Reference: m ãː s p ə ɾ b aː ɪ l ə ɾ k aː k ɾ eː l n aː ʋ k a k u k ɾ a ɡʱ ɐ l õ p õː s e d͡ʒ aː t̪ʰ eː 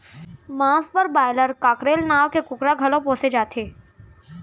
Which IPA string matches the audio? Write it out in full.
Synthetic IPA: m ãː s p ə ɾ b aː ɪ l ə ɾ k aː k ɾ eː l n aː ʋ k e k ʊ k ɾ a ɡʱ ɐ l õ p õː s e d͡ʒ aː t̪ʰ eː

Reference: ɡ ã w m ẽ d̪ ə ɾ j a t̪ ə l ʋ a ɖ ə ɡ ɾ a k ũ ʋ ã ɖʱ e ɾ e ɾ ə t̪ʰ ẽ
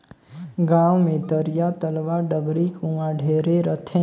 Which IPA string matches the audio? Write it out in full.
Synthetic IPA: ɡ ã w m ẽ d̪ ə ɾ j a t̪ ə l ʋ a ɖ ə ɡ ɾ i k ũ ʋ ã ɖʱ e ɾ e ɾ ə t̪ʰ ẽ

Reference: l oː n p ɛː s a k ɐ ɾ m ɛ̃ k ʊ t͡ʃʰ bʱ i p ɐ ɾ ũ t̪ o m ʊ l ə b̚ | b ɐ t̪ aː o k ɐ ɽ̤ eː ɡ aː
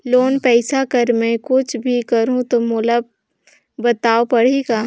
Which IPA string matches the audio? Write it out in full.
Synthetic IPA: l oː n p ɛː s a k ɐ ɾ m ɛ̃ k ʊ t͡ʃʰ bʱ i k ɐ ɾ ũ t̪ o m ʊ l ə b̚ | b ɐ t̪ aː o p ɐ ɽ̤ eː ɡ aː

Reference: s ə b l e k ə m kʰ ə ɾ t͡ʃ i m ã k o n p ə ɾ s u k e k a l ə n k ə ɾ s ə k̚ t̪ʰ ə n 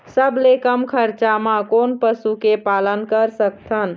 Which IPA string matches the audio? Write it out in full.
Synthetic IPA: s ə b l e k ə m kʰ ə ɾ t͡ʃ a m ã k o n p ə s u k e p a l ə n k ə ɾ s ə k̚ t̪ʰ ə n

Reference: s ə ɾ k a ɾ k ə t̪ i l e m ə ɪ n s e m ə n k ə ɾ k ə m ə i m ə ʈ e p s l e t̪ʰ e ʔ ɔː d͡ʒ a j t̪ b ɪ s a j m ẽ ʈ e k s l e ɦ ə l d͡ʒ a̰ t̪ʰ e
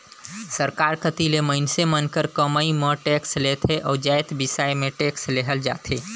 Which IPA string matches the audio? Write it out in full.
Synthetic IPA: s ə ɾ k a ɾ k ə t̪ i l e m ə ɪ n s e m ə n k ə ɾ k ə m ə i m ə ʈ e k s l e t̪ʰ e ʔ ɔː d͡ʒ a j t̪ b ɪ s a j m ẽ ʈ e k s l e ɦ ə l d͡ʒ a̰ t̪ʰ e

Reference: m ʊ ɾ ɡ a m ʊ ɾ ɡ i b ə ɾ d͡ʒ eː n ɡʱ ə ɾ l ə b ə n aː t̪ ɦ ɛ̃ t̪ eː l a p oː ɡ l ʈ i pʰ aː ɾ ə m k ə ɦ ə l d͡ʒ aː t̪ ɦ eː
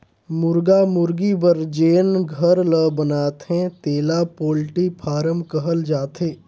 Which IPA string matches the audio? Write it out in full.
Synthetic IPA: m ʊ ɾ ɡ a m ʊ ɾ ɡ i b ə ɾ d͡ʒ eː n ɡʱ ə ɾ l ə b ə n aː t̪ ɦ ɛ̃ t̪ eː l a p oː l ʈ i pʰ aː ɾ ə m k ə ɦ ə l d͡ʒ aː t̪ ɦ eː

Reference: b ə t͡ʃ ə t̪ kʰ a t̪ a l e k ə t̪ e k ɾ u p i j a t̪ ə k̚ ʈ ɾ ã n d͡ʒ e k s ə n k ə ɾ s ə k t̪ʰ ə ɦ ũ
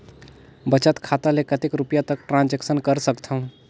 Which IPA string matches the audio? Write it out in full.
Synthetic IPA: b ə t͡ʃ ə t̪ kʰ a t̪ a l e k ə t̪ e k ɾ u p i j a t̪ ə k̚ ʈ ɾ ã n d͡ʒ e k s ə n k ə ɾ s ə k t̪ʰ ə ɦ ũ

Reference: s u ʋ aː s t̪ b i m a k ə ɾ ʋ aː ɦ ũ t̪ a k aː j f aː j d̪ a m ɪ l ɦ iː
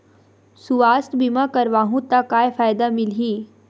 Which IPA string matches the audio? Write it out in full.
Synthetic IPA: s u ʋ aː s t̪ b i m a k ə ɾ ʋ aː ɦ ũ t̪ a k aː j f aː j d̪ a m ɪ l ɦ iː

